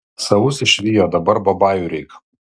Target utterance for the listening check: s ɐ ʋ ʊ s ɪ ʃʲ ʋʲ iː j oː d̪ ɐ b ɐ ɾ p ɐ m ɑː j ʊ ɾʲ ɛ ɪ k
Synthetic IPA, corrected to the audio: s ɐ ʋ ʊ s ɪ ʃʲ ʋʲ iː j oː d̪ ɐ b ɐ ɾ b ɐ b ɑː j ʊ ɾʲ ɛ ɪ k